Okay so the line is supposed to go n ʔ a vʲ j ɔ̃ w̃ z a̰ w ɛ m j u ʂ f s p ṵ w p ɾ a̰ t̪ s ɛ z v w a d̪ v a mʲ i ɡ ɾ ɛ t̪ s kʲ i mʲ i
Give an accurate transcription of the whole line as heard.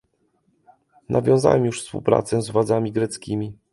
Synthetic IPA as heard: n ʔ a vʲ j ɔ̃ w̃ z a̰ w ɛ m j u ʂ f s p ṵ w p ɾ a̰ t̪ s ɛ z v w a d̪ z a mʲ i ɡ ɾ ɛ t̪ s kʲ i mʲ i